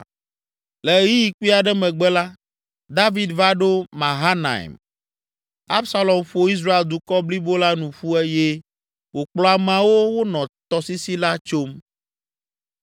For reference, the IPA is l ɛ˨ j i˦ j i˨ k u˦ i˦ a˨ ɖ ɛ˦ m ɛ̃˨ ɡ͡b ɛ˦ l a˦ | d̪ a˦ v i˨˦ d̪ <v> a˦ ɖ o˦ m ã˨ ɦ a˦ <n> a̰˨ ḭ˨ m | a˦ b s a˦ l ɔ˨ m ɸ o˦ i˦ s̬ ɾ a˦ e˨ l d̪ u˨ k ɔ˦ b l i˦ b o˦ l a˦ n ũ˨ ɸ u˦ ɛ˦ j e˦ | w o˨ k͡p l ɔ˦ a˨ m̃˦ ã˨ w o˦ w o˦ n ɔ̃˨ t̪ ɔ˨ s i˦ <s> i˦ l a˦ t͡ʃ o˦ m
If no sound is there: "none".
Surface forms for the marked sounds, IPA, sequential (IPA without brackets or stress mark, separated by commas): v, n, s